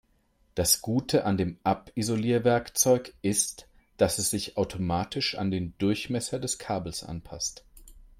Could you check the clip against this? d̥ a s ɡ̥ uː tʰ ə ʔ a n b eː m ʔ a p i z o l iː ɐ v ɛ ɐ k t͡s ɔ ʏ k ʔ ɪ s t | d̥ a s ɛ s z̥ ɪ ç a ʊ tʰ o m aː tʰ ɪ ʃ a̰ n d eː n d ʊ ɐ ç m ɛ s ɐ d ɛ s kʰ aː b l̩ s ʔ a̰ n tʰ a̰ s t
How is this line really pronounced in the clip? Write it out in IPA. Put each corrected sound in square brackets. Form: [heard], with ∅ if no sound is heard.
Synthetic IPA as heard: d̥ a s ɡ̥ uː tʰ ə ʔ a n [d] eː m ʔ a p i z o l iː ɐ v ɛ ɐ k t͡s ɔ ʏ k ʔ ɪ s t | d̥ a s ɛ s z̥ ɪ ç a ʊ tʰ o m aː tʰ ɪ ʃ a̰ n d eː n d ʊ ɐ ç m ɛ s ɐ d ɛ s kʰ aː b l̩ s ʔ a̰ n [pʰ] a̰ s t